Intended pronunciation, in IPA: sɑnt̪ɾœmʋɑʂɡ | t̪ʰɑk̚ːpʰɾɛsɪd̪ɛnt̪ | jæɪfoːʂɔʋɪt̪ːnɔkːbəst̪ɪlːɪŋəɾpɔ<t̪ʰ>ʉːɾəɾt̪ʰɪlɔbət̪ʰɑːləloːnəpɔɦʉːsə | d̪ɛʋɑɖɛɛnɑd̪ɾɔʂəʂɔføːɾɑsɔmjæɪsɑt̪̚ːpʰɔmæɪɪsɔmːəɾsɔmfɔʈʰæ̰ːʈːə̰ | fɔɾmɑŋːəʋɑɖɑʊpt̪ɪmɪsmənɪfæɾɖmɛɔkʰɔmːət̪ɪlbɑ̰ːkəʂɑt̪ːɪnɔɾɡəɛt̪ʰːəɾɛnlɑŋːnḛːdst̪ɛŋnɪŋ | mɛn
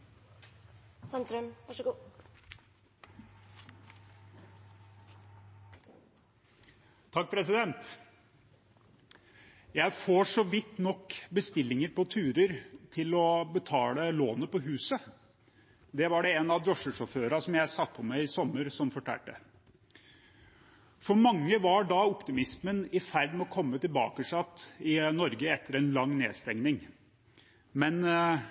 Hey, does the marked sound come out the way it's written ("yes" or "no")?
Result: yes